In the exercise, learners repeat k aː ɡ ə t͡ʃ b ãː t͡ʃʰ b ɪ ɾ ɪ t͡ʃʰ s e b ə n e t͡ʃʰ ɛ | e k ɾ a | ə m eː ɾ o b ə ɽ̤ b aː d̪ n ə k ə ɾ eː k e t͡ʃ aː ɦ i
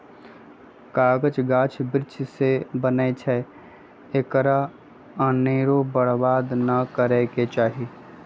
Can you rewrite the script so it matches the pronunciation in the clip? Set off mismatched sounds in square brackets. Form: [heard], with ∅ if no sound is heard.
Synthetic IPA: k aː ɡ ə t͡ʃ [ɡ] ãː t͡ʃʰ b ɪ ɾ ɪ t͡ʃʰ s e b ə n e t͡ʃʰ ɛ | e k ɾ a | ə [n] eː ɾ o b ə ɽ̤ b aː d̪ n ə k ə ɾ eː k e t͡ʃ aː ɦ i